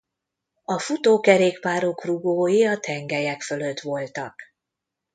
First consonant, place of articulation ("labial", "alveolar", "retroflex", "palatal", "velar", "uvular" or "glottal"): labial